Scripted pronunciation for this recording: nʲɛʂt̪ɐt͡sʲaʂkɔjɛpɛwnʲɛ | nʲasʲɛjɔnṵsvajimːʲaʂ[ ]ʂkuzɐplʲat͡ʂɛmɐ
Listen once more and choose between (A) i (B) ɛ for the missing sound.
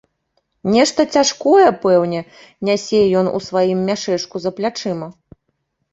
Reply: B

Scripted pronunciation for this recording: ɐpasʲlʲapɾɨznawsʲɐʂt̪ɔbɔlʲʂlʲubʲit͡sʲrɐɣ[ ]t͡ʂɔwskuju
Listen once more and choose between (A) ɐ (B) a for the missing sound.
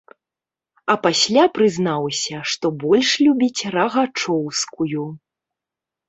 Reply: B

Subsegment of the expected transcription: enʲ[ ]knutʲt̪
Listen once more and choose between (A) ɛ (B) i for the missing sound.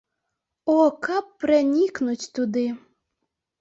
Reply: B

